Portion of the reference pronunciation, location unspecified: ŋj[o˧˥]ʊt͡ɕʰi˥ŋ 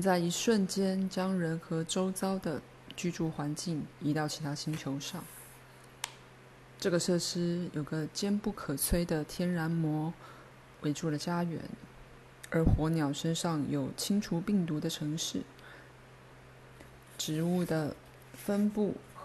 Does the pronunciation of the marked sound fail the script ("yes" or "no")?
yes